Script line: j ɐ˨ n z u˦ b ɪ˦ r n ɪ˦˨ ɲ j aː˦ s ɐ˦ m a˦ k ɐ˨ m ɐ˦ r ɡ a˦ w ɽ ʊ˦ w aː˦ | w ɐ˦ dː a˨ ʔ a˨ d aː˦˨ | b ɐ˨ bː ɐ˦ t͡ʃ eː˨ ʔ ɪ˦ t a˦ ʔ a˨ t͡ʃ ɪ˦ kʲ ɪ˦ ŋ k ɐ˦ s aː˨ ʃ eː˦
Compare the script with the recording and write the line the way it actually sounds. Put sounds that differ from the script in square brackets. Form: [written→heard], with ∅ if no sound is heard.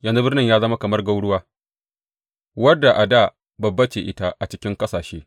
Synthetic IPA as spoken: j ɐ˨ n z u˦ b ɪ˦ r n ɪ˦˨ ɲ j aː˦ [s→z] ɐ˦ m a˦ k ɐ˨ m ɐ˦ r ɡ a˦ w ɽ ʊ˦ w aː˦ | w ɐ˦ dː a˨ ʔ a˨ d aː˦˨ | b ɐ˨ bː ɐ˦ t͡ʃ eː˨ ʔ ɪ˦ t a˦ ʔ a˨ t͡ʃ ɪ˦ kʲ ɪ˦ ŋ k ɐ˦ s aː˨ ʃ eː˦